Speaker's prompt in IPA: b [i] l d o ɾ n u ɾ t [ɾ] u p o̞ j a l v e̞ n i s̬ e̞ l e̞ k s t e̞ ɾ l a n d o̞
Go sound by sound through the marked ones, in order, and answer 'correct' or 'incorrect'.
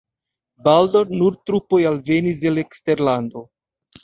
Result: incorrect, correct

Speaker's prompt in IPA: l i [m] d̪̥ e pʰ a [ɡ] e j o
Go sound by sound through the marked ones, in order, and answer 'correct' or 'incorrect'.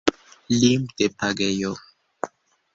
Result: correct, correct

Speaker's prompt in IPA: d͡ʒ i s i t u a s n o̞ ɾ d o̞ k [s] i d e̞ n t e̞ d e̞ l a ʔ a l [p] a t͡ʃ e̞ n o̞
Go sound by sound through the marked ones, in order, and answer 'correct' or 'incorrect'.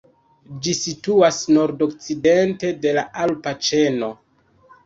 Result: incorrect, correct

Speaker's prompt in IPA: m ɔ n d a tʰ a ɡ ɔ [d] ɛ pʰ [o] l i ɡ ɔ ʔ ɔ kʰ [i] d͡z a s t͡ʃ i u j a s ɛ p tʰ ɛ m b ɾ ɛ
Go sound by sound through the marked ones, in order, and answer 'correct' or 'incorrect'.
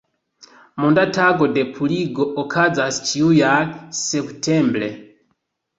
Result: correct, incorrect, incorrect

